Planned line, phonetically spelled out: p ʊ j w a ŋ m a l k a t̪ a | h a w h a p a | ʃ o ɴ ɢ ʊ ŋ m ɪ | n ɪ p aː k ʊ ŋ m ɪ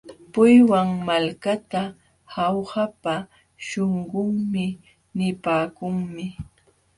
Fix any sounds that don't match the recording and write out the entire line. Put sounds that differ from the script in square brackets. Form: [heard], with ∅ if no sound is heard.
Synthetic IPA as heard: p ʊ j w a ŋ m a l k a t̪ a | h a w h a p a | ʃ o ɴ ɢ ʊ ŋ m ɪ | n ɪ p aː k ʊ ŋ m ɪ